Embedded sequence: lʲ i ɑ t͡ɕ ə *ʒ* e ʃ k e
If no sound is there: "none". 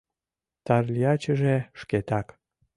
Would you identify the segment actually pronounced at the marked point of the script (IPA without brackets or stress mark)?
ʒ